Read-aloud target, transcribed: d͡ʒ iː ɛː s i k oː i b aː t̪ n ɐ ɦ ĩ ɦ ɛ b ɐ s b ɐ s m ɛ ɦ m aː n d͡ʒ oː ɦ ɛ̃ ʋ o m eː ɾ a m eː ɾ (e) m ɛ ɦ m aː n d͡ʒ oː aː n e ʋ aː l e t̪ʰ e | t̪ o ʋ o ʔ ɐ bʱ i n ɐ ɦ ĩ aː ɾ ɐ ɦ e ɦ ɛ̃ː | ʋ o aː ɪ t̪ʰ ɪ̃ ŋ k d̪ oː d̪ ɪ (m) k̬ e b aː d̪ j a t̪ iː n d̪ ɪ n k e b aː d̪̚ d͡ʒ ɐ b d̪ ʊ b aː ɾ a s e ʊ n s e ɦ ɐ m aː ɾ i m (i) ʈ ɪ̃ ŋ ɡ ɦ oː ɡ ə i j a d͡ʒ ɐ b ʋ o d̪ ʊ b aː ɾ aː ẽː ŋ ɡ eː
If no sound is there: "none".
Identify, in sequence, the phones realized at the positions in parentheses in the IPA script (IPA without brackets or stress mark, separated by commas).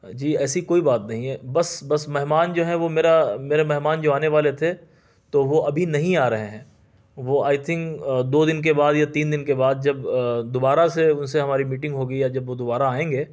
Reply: e, n, iː